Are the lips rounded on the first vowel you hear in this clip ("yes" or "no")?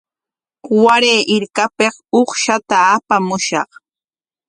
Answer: no